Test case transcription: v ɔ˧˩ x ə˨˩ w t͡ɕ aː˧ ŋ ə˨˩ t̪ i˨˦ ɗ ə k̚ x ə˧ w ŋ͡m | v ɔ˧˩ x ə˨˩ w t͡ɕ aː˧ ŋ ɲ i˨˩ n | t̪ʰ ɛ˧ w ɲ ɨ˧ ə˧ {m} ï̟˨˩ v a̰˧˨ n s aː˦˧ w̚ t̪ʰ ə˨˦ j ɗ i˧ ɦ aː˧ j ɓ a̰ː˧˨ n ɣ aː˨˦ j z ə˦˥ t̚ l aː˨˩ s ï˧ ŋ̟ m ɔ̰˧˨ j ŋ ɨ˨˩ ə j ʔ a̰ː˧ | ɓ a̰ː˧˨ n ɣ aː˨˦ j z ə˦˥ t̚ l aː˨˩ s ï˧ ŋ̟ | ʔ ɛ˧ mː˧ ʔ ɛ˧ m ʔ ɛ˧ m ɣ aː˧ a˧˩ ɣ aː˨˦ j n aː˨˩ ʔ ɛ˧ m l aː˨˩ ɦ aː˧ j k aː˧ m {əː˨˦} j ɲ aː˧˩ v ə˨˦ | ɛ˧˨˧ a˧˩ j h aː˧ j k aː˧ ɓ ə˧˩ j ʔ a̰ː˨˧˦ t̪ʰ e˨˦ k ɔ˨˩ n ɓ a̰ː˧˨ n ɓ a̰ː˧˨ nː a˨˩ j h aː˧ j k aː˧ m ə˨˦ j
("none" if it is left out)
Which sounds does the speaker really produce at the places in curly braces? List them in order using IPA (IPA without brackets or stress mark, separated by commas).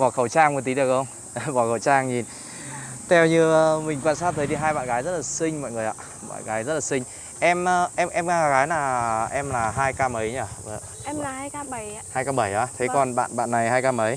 m, ə˨˦